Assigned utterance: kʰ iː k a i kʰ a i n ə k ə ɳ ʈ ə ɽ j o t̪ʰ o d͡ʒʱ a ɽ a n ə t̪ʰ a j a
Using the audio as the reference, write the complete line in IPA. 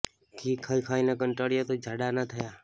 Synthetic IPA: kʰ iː kʰ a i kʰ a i n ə k ə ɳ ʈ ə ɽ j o t̪ o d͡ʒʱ a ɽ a n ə t̪ʰ ə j a